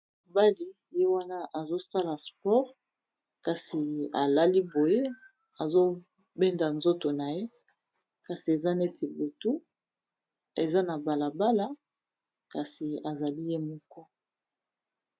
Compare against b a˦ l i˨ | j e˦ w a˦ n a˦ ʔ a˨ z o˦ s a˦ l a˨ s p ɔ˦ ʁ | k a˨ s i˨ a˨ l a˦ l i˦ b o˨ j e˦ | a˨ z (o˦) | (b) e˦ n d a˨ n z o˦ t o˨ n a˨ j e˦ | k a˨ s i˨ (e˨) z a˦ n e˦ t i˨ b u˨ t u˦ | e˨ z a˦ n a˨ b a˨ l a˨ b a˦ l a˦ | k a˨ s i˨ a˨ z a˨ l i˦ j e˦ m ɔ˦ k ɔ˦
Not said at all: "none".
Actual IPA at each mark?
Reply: o˦, b, e˨

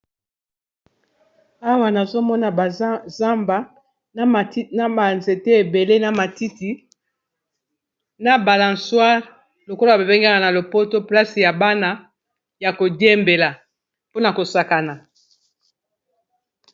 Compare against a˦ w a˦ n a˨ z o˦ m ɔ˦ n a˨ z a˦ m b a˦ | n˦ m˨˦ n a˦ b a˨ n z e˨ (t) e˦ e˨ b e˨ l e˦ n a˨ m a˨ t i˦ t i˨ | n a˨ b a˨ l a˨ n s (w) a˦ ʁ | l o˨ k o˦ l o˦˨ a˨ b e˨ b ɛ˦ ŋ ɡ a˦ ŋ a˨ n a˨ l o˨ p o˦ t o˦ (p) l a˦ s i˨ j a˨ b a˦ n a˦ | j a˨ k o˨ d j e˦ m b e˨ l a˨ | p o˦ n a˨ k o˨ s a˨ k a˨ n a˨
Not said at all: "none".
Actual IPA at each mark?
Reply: t, w, p

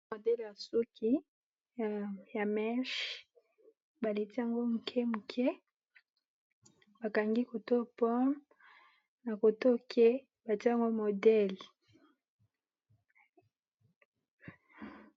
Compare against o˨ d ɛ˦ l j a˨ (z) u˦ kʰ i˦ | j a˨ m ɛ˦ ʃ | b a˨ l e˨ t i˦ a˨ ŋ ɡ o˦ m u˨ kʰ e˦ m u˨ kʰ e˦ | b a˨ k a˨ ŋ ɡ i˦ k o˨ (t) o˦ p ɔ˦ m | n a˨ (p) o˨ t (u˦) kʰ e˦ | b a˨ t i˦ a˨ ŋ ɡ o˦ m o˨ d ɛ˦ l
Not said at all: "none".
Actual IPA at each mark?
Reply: s, t, k, o˦

